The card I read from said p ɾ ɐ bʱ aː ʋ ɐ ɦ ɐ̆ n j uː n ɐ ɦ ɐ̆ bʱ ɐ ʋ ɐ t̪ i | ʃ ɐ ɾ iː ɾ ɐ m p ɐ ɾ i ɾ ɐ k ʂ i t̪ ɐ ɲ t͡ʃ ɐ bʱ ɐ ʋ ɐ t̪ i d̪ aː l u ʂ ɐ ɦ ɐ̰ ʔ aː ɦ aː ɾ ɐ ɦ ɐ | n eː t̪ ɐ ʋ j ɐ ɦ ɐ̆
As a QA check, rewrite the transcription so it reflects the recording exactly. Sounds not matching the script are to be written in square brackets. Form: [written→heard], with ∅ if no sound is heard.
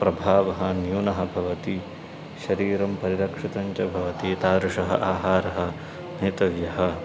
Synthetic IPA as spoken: p ɾ ɐ bʱ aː ʋ ɐ ɦ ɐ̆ n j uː n ɐ ɦ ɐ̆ bʱ ɐ ʋ ɐ t̪ i | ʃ ɐ ɾ iː ɾ ɐ m p ɐ ɾ i ɾ ɐ k ʂ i t̪ ɐ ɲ t͡ʃ ɐ bʱ ɐ ʋ ɐ t̪ i [d̪→t̪] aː [l→ɾ] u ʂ ɐ ɦ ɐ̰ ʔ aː ɦ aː ɾ ɐ ɦ ɐ | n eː t̪ ɐ ʋ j ɐ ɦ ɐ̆